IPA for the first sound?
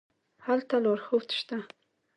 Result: h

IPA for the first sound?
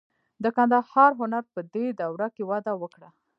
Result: d̪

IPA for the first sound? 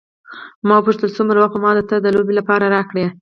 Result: m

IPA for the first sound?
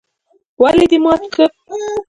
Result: w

